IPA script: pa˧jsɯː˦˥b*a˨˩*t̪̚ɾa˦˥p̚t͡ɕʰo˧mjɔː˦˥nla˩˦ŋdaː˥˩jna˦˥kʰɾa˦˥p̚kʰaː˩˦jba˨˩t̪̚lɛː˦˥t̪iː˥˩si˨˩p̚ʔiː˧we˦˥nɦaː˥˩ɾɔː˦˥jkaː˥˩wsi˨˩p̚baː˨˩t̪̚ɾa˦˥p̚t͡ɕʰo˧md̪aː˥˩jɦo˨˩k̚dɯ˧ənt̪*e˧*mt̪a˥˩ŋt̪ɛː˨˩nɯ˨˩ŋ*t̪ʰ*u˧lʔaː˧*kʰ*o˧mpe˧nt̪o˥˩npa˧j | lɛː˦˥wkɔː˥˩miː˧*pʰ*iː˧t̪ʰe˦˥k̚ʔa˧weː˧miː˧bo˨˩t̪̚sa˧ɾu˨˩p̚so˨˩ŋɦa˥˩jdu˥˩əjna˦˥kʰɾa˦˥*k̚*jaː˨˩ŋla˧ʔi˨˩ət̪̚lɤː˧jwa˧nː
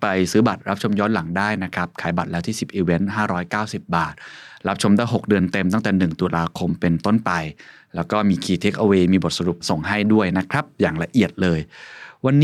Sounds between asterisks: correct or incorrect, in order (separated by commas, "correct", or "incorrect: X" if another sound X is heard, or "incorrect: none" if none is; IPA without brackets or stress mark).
correct, correct, incorrect: t̪, correct, incorrect: kʰ, incorrect: p̚